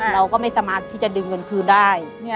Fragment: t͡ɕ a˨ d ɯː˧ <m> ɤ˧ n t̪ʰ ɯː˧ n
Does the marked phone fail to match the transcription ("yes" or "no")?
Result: yes